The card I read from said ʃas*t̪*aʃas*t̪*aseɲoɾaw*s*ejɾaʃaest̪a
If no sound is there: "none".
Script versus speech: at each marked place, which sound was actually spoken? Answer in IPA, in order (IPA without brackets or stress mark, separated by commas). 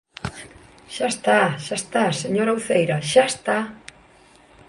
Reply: t̪, t̪, θ